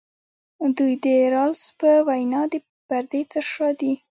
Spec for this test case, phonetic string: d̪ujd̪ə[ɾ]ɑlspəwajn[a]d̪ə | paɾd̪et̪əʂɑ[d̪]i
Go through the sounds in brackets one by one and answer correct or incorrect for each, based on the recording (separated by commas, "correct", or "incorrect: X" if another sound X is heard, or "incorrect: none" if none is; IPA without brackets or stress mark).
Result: correct, incorrect: ɑ, correct